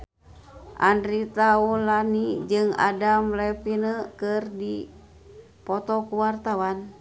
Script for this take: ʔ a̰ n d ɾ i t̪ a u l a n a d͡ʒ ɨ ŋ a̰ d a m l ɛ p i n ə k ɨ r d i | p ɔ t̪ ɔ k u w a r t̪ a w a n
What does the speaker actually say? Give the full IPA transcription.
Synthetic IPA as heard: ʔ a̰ n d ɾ i t̪ a u l a n i d͡ʒ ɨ ŋ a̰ d a m l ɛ p i n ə k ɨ r d i | p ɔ t̪ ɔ k u w a r t̪ a w a n